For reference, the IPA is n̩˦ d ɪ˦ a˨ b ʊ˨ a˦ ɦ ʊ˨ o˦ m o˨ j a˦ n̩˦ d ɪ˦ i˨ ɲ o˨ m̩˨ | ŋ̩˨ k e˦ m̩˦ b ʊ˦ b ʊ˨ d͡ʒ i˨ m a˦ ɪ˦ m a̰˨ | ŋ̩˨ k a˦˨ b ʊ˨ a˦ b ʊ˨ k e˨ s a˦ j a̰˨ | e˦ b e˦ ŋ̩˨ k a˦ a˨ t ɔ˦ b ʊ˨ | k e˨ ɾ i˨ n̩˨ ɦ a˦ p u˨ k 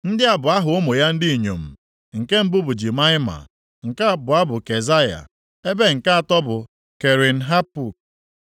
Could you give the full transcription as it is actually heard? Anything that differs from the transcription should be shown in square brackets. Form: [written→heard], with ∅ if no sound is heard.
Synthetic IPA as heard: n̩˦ d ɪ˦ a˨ b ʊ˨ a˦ ɦ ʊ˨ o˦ m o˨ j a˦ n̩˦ d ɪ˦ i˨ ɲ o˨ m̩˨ | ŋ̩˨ k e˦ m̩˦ b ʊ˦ b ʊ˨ d͡ʒ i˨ m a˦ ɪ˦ m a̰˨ | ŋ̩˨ k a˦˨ b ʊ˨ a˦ b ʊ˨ k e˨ [s→z] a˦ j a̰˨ | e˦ b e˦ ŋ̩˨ k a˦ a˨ t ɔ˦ b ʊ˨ | k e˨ ɾ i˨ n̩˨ ɦ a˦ p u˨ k